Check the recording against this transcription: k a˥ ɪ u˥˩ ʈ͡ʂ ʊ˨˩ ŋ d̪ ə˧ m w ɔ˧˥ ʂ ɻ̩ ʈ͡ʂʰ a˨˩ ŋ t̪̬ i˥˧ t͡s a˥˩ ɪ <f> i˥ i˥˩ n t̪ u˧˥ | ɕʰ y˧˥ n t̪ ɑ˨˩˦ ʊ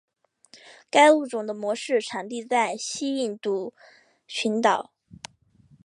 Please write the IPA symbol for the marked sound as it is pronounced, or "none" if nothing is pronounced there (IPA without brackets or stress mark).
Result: ɕ